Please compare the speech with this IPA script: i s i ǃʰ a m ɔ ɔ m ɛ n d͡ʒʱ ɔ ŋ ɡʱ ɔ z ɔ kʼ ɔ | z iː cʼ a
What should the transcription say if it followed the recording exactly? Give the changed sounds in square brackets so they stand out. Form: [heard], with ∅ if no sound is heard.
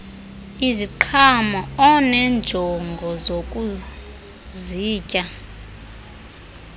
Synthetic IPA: i [z] i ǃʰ a m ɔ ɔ [n] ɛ n d͡ʒʱ ɔ ŋ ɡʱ ɔ z [o] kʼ [u] | z iː cʼ a